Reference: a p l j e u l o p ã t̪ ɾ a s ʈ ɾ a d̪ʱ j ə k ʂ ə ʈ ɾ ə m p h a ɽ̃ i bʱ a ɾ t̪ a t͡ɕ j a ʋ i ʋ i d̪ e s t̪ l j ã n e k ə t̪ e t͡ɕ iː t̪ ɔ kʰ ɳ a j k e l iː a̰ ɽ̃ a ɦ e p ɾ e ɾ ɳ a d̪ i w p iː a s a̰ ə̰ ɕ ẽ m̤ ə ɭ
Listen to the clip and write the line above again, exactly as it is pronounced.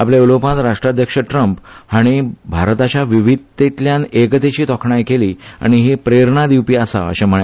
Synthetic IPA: a p l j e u l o p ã t̪ ɾ a ʂ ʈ ɾ a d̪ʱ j ə k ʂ ə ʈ ɾ ə m p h a ɽ̃ i bʱ a ɾ t̪ a t͡ɕ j a ʋ i ʋ i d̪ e t̪ l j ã n e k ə t̪ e t͡ɕ iː t̪ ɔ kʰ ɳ a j k e l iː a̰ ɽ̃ i ɦ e p ɾ e ɾ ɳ a d̪ i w p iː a s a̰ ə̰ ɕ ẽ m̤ ə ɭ